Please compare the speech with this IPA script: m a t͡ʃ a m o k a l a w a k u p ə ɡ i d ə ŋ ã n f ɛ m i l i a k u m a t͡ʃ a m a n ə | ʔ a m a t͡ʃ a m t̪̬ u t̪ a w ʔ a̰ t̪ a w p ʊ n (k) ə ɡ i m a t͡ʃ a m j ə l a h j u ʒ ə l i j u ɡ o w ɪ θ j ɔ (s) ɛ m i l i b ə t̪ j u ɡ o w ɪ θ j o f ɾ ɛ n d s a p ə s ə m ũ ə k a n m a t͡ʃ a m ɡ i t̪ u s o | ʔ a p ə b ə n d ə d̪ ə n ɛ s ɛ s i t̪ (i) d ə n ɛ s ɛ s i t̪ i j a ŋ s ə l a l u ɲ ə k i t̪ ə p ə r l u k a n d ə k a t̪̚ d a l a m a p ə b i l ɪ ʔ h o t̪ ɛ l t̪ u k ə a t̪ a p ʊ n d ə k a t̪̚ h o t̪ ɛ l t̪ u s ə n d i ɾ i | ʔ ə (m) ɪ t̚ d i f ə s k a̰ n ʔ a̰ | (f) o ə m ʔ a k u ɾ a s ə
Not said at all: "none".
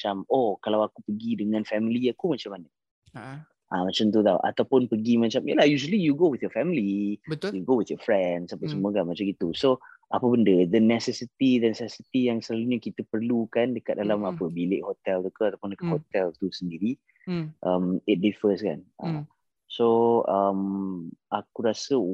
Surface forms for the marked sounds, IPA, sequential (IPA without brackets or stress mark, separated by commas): p, f, i, m, s